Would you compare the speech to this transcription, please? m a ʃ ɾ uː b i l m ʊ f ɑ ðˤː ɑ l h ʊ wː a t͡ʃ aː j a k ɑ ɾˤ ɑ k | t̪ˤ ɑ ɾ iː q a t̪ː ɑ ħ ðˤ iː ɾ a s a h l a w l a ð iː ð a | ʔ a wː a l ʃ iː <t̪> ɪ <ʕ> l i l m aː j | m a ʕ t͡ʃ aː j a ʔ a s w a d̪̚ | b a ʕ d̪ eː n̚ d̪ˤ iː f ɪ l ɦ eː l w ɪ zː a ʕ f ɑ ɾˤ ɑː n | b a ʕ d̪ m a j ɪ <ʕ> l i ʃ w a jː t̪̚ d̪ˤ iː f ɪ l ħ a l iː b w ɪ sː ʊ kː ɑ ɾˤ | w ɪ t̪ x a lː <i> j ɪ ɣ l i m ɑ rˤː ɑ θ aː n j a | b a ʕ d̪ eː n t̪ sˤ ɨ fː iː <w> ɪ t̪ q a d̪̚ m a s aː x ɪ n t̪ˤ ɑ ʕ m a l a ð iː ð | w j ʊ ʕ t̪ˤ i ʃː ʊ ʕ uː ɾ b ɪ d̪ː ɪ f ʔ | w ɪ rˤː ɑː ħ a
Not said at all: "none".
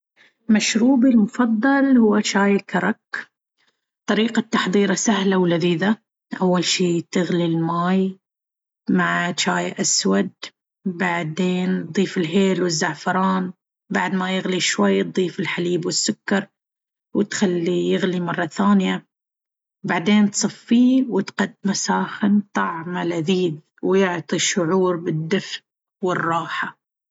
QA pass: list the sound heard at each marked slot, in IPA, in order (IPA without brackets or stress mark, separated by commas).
t̪, ɣ, ɣ, i, w